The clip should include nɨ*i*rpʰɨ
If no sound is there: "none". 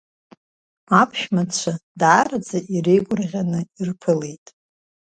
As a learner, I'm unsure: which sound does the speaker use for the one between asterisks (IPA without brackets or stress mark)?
i